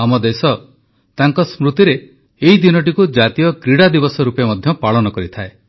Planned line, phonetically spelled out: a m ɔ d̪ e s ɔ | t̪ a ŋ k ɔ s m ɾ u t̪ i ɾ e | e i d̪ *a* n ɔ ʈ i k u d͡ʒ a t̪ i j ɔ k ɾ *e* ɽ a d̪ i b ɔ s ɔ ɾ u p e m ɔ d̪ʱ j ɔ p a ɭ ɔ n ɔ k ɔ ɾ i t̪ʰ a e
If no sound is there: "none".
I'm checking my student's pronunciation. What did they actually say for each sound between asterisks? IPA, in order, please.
i, i

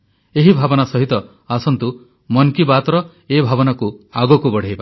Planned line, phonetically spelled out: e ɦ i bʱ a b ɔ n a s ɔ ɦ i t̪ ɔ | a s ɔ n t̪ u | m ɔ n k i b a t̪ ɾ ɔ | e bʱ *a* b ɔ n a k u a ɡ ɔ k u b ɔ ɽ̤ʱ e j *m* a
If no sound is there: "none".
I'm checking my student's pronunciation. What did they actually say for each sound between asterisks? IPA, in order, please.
a, b

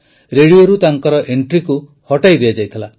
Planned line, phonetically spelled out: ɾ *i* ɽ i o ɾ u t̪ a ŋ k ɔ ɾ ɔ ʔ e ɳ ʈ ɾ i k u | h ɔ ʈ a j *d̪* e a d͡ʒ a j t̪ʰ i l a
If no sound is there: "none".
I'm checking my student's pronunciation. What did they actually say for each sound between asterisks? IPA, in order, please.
e, d̪

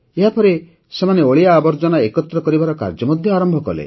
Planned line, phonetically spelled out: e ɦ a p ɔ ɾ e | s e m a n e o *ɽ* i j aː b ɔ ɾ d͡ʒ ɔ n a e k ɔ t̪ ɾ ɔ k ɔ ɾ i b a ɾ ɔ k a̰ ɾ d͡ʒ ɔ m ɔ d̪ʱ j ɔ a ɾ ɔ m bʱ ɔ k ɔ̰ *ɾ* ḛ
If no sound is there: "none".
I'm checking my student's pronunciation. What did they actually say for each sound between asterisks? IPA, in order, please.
ɭ, l

